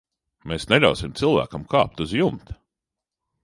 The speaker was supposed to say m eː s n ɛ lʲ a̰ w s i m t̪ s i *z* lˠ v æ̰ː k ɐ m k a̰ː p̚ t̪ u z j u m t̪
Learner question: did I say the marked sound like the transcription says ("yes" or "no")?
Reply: no